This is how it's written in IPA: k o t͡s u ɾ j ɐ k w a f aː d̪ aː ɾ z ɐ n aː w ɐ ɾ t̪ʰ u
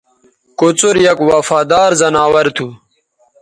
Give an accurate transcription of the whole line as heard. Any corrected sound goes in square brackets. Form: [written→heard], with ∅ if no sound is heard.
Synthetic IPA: k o t͡s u ɾ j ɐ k w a f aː d̪ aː ɾ z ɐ n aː w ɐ ɾ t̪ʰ u